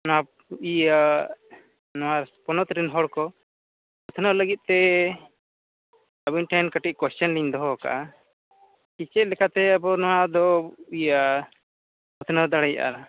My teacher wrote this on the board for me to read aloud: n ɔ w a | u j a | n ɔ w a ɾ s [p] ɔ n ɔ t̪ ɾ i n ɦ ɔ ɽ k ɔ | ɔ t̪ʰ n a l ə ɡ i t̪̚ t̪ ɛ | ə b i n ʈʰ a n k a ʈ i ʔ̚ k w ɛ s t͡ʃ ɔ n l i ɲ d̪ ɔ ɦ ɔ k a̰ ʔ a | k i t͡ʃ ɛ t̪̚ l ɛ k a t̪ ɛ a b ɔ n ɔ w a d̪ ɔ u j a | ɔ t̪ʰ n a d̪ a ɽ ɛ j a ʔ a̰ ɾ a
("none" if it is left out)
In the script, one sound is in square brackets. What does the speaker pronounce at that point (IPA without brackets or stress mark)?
p